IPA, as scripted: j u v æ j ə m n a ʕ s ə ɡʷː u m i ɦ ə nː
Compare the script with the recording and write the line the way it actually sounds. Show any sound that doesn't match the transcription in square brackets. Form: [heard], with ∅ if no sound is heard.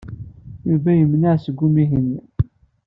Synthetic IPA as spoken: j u v æ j ə m n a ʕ s ə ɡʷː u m i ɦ ə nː